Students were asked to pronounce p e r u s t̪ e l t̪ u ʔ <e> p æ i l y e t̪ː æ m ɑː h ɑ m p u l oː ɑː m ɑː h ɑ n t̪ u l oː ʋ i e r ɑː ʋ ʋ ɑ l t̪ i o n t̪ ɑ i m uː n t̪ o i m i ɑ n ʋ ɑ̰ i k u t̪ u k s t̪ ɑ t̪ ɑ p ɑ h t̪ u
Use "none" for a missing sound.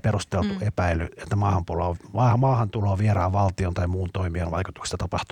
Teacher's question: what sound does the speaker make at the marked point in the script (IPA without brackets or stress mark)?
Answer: e